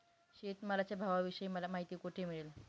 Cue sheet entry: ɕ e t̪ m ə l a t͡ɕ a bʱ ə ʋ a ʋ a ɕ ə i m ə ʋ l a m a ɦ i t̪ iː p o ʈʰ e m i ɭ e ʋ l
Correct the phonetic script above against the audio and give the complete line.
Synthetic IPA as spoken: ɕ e t̪ m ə l a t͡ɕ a bʱ a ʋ a ʋ i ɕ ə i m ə l a m a ɦ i t̪ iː k o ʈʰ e m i ɭ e l